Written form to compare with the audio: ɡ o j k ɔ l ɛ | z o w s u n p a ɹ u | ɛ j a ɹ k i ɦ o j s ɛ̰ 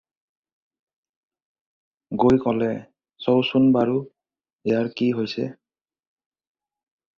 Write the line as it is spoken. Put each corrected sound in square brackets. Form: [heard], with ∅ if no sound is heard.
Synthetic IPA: ɡ o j k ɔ l ɛ | [s] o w s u n [b] a ɹ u | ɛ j a ɹ k i ɦ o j s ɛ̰

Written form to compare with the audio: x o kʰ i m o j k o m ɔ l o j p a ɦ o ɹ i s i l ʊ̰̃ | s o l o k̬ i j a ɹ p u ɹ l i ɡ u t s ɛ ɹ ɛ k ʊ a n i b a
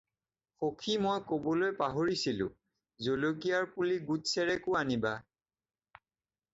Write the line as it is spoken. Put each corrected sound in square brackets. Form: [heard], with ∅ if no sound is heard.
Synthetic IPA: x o kʰ i m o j k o [b] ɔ l o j p a ɦ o ɹ i s i l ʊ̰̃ | [z] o l o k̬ i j a ɹ p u [∅] l i ɡ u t s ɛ ɹ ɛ k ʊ a n i b a

